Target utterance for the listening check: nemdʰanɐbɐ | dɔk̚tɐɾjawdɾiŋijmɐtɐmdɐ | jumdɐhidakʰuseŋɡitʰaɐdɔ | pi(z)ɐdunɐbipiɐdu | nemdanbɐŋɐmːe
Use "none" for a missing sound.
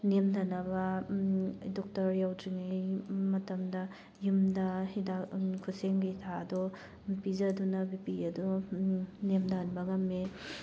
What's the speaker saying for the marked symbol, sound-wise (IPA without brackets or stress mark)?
z